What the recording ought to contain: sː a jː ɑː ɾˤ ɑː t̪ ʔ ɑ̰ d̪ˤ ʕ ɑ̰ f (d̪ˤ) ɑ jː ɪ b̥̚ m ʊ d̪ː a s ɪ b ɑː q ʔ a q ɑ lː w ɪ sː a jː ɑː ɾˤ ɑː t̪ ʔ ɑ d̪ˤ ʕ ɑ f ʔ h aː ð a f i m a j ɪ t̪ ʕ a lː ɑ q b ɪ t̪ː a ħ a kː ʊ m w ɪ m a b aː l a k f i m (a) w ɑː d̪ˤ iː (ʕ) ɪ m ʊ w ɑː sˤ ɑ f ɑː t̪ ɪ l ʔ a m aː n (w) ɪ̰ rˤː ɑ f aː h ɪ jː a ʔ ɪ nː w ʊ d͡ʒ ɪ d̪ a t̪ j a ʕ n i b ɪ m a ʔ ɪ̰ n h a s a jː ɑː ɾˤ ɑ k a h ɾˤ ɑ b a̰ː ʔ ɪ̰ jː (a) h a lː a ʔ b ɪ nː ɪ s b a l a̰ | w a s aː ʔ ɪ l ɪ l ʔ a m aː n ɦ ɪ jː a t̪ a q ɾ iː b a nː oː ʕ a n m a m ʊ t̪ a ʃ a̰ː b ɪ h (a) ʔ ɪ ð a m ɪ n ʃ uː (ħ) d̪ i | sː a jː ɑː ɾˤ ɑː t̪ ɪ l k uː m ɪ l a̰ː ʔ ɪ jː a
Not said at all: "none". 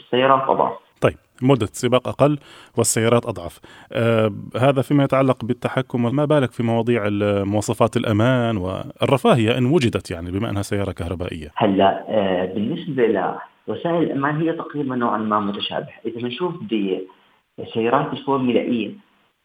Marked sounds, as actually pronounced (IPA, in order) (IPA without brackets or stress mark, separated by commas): t̪ˤ, ɑ, ʕ, w, a, a, f